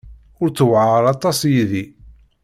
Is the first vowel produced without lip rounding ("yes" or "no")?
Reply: no